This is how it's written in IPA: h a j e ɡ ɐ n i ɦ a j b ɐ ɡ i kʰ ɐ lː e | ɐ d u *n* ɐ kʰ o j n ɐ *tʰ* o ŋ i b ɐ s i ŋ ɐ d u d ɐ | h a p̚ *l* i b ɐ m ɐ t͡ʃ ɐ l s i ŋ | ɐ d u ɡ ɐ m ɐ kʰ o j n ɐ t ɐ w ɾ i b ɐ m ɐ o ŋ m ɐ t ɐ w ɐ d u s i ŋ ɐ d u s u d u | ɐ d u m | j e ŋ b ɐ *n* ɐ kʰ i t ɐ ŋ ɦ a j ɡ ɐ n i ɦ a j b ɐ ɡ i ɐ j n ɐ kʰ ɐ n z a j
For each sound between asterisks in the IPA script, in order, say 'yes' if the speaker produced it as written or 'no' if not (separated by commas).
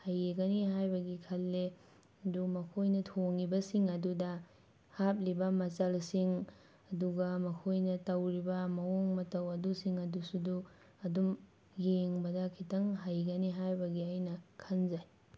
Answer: no, yes, yes, no